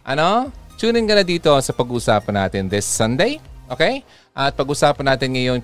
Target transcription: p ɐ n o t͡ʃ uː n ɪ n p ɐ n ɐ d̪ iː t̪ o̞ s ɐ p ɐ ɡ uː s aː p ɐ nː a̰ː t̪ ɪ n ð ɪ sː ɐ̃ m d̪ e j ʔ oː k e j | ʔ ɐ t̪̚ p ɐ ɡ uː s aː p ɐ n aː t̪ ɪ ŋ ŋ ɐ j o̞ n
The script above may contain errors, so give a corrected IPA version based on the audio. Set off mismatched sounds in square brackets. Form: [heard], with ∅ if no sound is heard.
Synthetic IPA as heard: [ʔ] ɐ n o t͡ʃ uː n ɪ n [k] ɐ n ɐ d̪ iː t̪ o̞ s ɐ p ɐ ɡ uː s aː p ɐ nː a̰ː t̪ ɪ n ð ɪ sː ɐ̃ [n] d̪ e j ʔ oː k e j | ʔ ɐ t̪̚ p ɐ ɡ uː s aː p ɐ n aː t̪ ɪ [n] ŋ ɐ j o̞ n